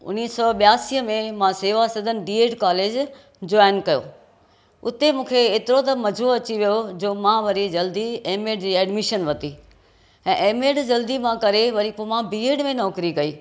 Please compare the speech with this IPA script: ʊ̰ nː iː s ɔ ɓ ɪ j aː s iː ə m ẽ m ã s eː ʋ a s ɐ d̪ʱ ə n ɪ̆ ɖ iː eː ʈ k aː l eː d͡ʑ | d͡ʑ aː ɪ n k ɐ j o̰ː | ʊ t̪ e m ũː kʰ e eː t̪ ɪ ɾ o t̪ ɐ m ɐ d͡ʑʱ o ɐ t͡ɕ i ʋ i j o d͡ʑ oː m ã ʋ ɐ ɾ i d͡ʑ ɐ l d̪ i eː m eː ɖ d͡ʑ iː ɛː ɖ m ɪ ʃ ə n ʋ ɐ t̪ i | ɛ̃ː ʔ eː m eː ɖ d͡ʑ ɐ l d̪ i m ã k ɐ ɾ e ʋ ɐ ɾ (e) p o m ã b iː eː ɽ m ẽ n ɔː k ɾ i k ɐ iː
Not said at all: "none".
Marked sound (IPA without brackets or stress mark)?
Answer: i